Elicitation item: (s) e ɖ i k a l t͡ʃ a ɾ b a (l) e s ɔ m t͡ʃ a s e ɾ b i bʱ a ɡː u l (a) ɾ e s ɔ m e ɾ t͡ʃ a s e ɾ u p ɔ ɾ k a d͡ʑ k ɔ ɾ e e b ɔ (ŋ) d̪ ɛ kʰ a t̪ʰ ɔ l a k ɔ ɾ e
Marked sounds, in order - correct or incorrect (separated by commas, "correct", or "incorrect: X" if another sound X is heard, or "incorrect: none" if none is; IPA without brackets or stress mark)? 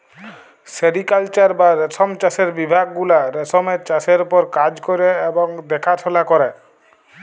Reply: correct, incorrect: ɾ, correct, correct